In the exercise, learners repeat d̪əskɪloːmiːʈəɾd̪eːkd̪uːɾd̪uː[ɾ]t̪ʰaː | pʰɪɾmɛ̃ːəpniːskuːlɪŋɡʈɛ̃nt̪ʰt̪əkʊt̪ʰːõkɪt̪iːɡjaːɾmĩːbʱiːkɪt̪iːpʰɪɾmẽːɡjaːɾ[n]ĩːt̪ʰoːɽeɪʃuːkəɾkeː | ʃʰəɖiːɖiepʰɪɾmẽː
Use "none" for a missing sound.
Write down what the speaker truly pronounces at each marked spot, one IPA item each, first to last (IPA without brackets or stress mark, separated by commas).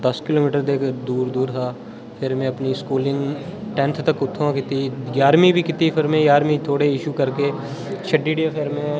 ɾ, m